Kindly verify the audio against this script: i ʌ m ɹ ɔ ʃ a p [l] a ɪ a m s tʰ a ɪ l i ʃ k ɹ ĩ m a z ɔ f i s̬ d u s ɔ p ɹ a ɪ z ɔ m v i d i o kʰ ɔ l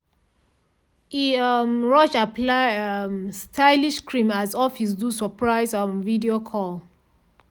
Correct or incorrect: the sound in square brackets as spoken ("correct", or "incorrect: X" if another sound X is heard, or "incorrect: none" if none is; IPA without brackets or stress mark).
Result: correct